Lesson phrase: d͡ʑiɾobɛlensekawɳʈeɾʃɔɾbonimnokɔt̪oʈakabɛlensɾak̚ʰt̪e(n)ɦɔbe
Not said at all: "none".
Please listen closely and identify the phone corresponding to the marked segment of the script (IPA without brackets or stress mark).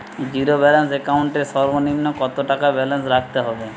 none